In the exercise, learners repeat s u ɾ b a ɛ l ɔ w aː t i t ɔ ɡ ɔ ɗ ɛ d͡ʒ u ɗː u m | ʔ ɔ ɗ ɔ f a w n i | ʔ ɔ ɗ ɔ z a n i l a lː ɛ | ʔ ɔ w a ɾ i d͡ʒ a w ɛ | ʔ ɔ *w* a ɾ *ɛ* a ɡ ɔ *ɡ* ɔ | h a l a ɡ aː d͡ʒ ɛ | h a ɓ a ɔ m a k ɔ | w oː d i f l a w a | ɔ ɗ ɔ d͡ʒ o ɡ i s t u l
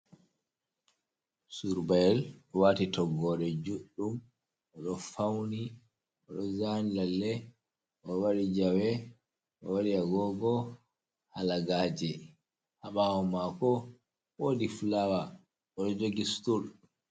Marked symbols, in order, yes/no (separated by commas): yes, no, yes